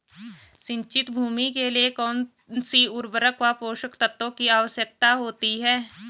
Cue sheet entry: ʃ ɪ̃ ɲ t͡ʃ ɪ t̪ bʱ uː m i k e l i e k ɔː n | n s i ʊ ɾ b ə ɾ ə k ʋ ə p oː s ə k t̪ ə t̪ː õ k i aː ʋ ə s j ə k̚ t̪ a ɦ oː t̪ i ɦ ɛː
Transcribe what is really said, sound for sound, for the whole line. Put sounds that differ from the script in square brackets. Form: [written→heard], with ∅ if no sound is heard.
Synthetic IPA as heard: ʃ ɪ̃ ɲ t͡ʃ ɪ t̪ bʱ uː m i k e l i e k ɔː n | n s i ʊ ɾ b ə ɾ ə k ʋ [ə→a] p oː [s→ʃ] ə k t̪ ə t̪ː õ k i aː ʋ ə s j ə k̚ t̪ a ɦ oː t̪ i ɦ ɛː

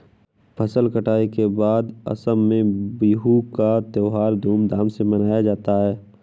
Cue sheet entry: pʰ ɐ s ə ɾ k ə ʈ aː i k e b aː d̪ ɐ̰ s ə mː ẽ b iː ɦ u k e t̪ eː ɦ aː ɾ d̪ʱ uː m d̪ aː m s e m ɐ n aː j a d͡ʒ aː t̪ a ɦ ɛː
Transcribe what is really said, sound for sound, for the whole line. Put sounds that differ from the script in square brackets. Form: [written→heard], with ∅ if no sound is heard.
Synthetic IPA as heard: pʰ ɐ s ə [ɾ→l] k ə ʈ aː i k e b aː d̪ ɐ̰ s ə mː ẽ b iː ɦ u k [e→a] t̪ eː ɦ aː ɾ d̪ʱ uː m d̪ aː m s e m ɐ n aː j a d͡ʒ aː t̪ a ɦ ɛː

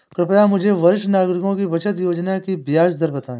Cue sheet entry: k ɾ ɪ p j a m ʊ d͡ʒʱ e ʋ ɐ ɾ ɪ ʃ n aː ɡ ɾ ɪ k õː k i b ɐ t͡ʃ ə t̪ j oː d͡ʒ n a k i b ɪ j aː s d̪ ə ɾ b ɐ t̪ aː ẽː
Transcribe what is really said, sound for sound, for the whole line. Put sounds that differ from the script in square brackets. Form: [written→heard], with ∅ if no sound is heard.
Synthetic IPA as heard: k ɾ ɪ p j a m ʊ d͡ʒʱ e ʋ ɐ ɾ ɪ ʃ n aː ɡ ɾ ɪ k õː k i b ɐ t͡ʃ ə t̪ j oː d͡ʒ n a k i b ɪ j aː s d̪ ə ɾ b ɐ t̪ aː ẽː

